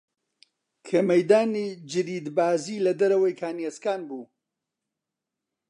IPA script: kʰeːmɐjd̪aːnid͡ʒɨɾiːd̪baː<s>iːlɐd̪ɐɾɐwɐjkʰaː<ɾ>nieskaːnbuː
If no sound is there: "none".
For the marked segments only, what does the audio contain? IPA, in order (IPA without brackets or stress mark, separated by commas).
z, none